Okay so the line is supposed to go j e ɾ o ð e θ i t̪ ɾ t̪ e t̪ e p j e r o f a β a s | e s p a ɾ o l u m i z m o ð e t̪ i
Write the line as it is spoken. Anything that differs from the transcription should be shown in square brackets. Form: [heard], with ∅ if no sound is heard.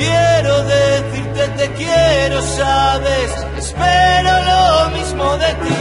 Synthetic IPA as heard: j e ɾ o ð e θ i [∅] ɾ t̪ e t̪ e [k] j e [ɾ] o [s] a β [e] s | e s p [e] ɾ o l [o] m i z m o ð e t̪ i